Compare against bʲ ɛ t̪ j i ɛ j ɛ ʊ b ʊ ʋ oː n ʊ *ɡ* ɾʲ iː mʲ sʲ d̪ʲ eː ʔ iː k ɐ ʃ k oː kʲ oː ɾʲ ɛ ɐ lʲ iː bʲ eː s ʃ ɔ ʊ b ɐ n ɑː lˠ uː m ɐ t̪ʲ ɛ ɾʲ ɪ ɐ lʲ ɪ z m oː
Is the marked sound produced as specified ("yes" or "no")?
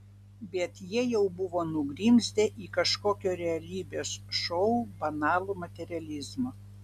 yes